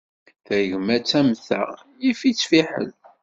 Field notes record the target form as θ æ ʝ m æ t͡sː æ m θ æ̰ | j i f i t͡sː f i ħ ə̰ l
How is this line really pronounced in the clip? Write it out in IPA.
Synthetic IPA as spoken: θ æ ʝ m æ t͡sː æ m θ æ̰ | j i f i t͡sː f i ħ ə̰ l